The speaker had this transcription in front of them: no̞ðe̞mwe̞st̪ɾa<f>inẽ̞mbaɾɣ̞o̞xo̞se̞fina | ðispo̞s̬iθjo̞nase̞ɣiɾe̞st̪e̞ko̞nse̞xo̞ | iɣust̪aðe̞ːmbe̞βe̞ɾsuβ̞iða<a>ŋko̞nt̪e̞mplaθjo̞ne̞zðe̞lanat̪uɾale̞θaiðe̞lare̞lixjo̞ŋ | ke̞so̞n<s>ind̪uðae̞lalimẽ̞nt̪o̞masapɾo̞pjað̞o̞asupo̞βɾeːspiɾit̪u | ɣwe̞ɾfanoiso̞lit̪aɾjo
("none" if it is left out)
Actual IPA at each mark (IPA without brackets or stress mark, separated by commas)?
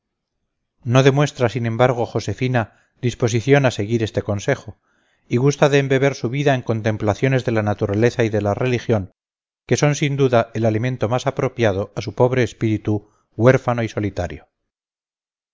s, e, s